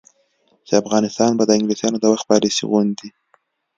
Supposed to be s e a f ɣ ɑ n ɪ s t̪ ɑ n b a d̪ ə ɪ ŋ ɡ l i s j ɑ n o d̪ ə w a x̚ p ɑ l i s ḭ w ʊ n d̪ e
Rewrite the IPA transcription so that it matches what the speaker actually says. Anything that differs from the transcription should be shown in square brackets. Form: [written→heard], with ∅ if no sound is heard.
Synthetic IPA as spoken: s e a f ɣ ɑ n ɪ s t̪ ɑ n b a d̪ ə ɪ ŋ ɡ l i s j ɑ n o d̪ ə w a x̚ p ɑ l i s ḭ [w→ɣ] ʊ n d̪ [e→i]